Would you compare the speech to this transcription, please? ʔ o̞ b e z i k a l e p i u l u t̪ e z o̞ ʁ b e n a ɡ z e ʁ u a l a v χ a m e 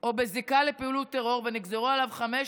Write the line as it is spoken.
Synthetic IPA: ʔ o̞ b e z i k a l e p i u l u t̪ e ʁ o̞ ʁ v e n i ɡ z e ʁ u a l a v χ a m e